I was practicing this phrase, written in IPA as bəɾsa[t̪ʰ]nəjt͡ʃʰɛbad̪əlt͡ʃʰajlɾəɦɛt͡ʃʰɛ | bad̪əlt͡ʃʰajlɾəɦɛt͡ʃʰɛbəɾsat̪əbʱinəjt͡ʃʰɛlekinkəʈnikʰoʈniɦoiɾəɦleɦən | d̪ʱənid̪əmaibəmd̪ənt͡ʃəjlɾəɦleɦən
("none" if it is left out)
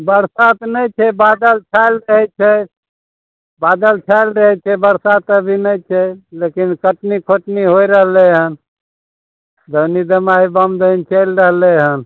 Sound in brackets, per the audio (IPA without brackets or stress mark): t̪